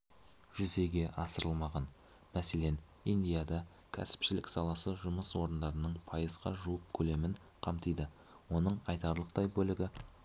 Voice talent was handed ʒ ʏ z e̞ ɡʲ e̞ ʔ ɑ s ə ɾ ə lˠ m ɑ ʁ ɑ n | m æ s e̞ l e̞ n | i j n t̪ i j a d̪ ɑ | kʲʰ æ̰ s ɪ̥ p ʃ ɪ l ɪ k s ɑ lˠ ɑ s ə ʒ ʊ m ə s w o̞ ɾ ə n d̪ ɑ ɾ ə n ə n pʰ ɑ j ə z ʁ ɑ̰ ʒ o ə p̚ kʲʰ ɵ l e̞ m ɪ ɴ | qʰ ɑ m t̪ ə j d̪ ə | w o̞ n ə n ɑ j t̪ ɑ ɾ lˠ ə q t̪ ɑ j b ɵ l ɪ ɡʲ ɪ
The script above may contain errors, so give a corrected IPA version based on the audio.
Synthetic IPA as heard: ʒ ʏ z e̞ ɡʲ e̞ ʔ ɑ s ə ɾ ə lˠ m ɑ ʁ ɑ n | m æ s e̞ l e̞ n | i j n d̪ i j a d̪ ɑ | kʲʰ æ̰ s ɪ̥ p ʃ ɪ l ɪ k s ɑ lˠ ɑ s ə ʒ ʊ m ə s w o̞ ɾ ə n d̪ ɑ ɾ ə n ə ɴ pʰ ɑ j ə z ʁ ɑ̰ ʒ u ə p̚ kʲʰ ɵ l e̞ m ɪ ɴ | qʰ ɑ m t̪ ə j d̪ ə | w o̞ n ə ɴ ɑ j t̪ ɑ ɾ lˠ ə q t̪ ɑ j b ɵ l ɪ ɡʲ ɪ